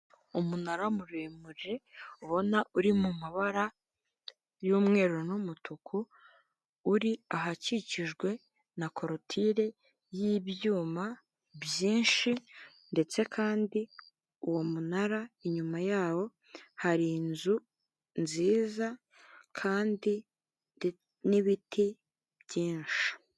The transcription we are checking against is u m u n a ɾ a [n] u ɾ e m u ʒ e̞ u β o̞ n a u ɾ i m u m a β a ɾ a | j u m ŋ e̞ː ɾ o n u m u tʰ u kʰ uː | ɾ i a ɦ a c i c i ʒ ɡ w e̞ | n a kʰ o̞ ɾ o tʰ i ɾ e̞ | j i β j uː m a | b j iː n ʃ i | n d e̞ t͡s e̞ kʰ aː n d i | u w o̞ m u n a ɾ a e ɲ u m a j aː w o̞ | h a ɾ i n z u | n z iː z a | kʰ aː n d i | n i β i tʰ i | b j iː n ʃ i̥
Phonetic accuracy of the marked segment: incorrect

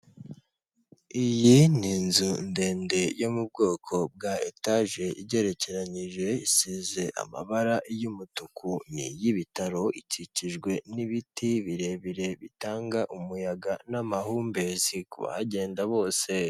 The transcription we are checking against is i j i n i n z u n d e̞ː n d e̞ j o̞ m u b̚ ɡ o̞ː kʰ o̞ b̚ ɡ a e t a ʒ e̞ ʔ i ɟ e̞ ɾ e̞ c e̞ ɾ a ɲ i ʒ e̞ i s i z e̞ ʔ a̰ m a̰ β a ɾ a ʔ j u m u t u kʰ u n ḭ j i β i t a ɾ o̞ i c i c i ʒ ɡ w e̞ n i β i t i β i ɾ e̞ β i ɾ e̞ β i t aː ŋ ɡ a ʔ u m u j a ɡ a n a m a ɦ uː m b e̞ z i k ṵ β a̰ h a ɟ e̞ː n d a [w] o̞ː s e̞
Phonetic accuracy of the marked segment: incorrect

